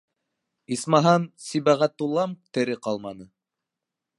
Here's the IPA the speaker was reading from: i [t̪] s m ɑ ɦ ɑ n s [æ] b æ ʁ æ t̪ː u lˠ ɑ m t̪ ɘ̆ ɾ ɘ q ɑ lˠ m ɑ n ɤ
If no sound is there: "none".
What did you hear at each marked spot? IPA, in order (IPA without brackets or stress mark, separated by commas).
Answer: none, i